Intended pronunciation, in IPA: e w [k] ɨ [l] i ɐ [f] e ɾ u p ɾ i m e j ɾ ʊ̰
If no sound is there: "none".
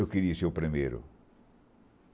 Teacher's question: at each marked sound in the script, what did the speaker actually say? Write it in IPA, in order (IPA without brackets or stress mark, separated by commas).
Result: k, ɾ, s